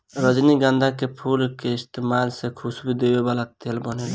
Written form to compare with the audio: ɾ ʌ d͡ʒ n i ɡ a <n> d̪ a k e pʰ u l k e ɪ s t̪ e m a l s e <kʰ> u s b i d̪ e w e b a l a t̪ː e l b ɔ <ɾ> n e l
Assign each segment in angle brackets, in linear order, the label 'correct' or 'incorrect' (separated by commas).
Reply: correct, correct, incorrect